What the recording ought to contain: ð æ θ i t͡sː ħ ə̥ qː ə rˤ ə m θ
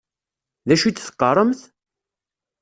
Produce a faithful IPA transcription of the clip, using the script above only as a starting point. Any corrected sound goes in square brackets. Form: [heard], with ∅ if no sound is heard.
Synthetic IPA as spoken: ð æ [ʃ] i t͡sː [θ] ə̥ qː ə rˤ ə m θ